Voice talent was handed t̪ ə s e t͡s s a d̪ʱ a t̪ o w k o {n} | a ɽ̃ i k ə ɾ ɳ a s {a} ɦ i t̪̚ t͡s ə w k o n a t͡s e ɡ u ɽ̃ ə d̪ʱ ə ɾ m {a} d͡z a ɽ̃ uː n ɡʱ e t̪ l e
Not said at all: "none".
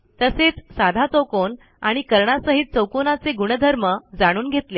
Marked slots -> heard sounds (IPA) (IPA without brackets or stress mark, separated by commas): n, ə, ə